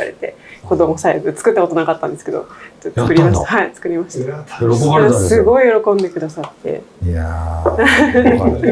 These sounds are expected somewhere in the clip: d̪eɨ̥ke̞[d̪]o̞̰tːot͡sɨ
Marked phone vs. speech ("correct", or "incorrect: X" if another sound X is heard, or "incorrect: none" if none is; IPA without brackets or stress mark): correct